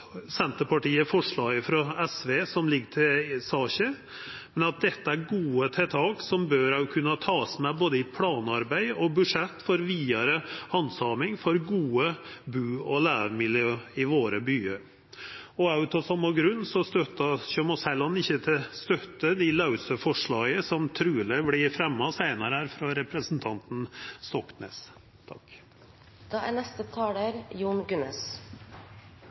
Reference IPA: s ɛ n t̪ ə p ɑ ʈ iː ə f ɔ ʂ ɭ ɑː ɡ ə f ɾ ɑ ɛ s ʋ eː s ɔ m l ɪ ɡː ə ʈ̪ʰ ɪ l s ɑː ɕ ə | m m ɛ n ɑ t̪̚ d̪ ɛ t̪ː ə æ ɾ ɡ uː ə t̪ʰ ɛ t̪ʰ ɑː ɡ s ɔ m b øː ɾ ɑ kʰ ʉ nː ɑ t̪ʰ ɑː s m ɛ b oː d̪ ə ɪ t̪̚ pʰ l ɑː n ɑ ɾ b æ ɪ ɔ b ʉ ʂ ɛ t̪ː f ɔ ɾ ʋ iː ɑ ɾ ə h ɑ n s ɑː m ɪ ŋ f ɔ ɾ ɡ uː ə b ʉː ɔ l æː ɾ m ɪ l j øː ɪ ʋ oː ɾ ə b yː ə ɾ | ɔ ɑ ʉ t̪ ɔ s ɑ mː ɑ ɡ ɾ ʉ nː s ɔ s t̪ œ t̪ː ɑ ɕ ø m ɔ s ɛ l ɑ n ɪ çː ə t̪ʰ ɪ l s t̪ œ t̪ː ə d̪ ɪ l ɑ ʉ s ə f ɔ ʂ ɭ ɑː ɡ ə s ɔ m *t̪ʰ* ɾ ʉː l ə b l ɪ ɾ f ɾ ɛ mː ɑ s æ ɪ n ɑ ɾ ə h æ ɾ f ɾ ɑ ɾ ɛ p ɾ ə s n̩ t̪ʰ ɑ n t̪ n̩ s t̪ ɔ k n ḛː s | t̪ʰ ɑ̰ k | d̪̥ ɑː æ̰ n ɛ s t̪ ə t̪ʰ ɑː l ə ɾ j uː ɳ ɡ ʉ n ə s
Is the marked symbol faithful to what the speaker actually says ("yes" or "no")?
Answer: yes